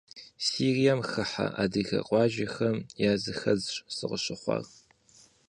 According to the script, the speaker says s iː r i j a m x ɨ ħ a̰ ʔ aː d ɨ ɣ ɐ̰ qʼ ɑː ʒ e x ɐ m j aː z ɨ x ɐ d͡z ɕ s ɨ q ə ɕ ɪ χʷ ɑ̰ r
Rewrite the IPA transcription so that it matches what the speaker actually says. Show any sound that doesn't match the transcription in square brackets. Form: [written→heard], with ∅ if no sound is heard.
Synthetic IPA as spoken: s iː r i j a m x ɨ ħ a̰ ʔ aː d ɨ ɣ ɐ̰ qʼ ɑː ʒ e x ɐ m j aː z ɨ x ɐ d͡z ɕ s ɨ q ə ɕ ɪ χʷ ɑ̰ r